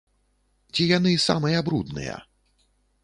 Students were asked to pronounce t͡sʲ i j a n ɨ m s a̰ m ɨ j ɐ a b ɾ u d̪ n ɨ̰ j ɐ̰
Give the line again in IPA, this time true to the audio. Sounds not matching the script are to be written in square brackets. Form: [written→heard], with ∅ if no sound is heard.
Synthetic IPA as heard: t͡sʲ i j a n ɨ [m→∅] s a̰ m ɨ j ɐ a b ɾ u d̪ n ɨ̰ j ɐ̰